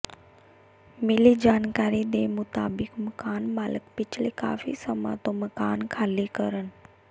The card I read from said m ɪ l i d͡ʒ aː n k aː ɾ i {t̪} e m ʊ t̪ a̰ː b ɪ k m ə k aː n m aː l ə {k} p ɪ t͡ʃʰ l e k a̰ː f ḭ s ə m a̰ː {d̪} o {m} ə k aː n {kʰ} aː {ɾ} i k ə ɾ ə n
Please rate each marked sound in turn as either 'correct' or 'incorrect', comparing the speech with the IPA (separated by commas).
incorrect, correct, incorrect, correct, correct, incorrect